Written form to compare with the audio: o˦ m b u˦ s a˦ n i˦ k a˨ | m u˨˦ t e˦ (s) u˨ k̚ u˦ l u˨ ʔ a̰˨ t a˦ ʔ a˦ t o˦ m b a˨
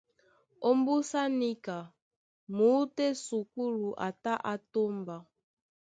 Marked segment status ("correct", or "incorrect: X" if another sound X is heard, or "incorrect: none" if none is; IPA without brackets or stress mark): correct